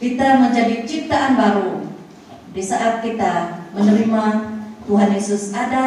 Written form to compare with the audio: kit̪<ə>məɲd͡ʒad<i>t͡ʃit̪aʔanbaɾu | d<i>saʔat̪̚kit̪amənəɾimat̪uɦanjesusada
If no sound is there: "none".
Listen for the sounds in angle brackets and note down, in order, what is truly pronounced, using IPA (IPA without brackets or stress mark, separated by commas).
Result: a, i, i